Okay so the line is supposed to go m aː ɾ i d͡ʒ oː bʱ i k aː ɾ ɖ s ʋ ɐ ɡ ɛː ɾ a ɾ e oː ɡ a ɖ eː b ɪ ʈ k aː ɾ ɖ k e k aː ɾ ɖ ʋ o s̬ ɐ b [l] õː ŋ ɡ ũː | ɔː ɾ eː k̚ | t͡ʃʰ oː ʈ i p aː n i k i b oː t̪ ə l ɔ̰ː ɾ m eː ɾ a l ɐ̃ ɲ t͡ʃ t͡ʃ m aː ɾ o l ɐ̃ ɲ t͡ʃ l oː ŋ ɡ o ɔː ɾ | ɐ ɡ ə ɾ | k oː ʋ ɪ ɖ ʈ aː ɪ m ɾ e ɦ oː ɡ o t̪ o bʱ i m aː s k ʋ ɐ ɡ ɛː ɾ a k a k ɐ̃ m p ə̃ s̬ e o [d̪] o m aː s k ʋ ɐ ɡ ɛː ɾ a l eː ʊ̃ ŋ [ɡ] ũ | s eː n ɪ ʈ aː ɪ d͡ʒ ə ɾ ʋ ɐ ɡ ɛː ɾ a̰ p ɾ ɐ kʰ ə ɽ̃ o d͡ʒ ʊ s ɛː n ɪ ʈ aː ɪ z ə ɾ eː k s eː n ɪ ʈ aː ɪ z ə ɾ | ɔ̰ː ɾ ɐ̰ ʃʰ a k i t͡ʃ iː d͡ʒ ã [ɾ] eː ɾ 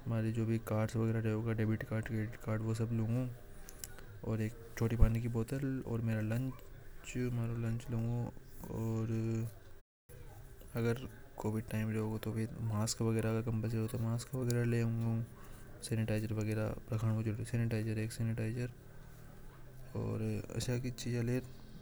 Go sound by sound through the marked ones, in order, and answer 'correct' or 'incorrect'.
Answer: correct, incorrect: t̪, correct, incorrect: l

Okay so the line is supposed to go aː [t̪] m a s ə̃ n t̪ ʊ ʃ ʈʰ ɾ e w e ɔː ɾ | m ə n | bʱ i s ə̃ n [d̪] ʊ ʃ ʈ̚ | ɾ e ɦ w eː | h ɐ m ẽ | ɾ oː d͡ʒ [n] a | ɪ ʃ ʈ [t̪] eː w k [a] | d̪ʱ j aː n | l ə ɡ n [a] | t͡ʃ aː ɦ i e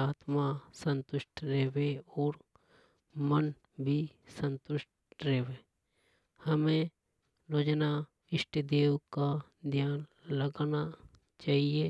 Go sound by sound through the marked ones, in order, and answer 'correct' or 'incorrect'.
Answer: correct, incorrect: t̪, correct, incorrect: d̪, correct, correct

